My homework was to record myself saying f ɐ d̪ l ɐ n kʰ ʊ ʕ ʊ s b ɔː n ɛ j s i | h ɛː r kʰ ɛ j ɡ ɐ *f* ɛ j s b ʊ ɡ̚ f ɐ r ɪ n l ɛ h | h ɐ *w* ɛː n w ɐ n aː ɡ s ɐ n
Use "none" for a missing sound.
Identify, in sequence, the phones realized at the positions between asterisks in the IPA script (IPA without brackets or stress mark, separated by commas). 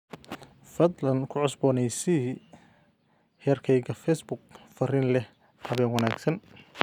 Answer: f, β